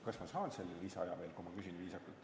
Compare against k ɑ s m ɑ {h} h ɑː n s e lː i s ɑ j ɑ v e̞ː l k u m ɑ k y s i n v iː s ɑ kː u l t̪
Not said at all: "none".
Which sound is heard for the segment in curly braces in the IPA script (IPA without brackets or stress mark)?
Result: s